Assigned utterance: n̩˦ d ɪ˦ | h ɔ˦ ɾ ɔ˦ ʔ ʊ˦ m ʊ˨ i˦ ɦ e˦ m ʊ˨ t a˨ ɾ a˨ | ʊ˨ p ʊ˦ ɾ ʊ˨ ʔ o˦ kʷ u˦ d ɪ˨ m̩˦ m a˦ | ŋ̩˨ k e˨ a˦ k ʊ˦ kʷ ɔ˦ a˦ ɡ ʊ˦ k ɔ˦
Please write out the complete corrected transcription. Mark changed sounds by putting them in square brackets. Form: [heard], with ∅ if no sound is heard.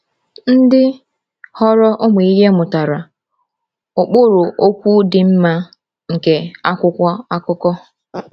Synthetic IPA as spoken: n̩˦ d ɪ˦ | h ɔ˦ ɾ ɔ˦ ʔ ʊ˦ m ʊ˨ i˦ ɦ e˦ m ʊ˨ t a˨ ɾ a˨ | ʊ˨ [k͡p] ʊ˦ ɾ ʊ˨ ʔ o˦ kʷ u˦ d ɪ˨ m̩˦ m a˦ | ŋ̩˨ k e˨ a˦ k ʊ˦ kʷ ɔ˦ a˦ [k] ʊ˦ k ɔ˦